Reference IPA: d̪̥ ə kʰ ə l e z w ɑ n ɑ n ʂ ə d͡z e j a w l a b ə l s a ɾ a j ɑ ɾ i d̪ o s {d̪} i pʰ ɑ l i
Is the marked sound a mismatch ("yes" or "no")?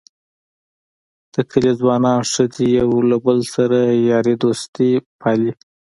yes